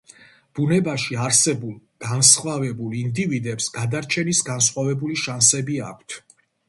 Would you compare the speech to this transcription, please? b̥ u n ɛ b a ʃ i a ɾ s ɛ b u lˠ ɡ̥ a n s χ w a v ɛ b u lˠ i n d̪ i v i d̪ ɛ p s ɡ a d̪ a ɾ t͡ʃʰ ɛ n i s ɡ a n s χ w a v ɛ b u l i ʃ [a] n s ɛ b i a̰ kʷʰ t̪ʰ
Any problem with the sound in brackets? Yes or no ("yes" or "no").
no